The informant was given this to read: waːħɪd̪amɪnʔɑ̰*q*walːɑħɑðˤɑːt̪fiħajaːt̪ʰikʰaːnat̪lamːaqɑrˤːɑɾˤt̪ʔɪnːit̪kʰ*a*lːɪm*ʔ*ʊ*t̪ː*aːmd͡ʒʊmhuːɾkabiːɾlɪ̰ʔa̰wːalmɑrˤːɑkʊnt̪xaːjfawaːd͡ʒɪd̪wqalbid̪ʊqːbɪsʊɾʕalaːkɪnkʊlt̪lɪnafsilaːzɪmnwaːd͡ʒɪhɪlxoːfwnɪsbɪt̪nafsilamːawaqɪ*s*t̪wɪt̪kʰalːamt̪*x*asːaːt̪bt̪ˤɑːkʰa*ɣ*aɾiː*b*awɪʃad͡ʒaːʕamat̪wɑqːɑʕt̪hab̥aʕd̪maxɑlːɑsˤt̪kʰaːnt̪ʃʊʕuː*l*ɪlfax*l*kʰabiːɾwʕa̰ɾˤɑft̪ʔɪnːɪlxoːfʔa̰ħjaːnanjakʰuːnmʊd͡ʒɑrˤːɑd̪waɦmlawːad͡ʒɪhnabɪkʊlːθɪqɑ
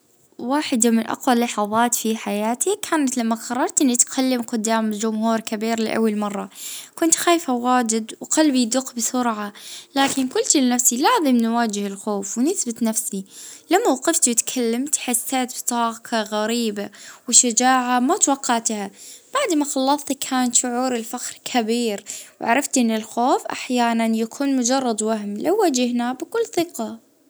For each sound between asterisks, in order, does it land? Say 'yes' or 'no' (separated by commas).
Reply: yes, yes, no, no, no, no, yes, yes, no, no